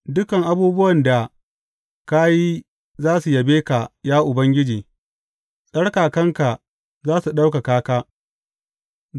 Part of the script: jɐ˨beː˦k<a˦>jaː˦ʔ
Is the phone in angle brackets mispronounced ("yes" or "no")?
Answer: yes